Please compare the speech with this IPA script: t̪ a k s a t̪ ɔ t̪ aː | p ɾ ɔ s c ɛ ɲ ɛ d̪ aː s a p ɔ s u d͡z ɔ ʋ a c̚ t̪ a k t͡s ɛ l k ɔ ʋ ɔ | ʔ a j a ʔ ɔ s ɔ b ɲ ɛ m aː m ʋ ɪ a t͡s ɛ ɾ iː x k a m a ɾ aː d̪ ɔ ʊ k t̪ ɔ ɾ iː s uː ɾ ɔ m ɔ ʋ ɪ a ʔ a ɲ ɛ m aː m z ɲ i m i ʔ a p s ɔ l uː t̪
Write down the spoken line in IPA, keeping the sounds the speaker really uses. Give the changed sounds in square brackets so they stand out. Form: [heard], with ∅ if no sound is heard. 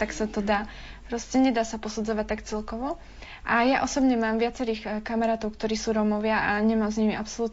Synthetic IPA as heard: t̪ a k s a t̪ ɔ [d̪] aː | p ɾ ɔ s c ɛ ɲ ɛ d̪ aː s a p ɔ s u d͡z ɔ ʋ a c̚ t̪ a k t͡s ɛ l k ɔ ʋ ɔ | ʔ a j a ʔ ɔ s ɔ b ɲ ɛ m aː m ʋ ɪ a t͡s ɛ ɾ iː x k a m a ɾ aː [t̪] ɔ ʊ k t̪ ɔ ɾ iː s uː ɾ ɔ m ɔ ʋ ɪ a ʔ a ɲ ɛ m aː m z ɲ i m i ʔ a p s ɔ l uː t̪